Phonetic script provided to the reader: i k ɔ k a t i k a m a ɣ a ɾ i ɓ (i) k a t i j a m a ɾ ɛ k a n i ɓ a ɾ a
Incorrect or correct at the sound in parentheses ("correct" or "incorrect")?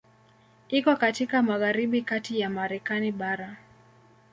correct